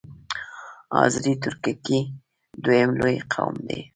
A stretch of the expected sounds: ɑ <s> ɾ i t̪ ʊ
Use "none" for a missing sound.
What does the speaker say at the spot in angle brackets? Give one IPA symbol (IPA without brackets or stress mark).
z